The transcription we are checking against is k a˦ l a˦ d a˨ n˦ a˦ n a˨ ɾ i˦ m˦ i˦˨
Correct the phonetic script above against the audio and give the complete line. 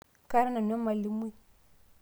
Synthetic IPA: k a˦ ɾ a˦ n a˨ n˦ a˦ m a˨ l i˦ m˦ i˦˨